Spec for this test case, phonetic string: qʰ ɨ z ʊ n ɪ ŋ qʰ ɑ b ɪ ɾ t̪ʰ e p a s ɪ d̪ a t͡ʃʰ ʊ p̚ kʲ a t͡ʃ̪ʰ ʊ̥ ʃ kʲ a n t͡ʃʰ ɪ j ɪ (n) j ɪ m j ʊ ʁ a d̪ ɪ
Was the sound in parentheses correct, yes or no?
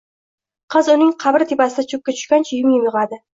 no